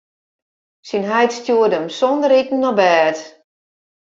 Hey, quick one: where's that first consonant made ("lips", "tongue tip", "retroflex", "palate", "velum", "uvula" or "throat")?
tongue tip